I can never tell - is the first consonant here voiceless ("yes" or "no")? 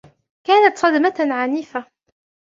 yes